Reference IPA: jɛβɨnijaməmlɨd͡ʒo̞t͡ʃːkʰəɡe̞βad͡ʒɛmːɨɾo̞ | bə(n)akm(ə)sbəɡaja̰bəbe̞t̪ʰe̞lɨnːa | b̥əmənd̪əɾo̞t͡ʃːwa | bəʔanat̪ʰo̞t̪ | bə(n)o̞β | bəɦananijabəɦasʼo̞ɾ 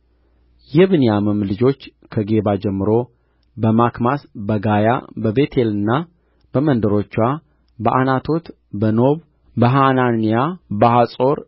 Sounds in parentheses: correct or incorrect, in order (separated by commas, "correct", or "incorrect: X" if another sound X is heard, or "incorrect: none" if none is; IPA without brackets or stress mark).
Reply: incorrect: m, incorrect: a, correct